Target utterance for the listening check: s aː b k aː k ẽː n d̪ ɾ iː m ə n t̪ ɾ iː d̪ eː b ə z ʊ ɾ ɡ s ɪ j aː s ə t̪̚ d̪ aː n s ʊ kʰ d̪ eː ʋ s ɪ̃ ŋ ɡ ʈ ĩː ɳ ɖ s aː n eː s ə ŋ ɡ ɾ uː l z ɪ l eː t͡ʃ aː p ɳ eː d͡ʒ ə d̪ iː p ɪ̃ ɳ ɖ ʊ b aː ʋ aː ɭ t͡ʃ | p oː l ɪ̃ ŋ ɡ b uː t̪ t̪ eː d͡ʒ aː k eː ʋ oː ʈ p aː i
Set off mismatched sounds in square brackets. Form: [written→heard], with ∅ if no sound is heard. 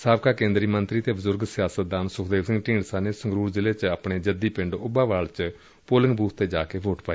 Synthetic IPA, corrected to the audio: s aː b k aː k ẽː n d̪ ɾ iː m ə n t̪ ɾ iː [d̪→t̪] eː b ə z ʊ ɾ ɡ s ɪ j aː s ə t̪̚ d̪ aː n s ʊ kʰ d̪ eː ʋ s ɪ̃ ŋ ɡ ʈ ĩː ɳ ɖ s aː n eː s ə ŋ ɡ ɾ uː [l→ɾ] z ɪ l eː t͡ʃ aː p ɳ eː d͡ʒ ə d̪ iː p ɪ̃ ɳ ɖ ʊ b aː ʋ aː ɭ t͡ʃ | p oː l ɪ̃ ŋ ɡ b uː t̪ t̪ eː d͡ʒ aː k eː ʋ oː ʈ p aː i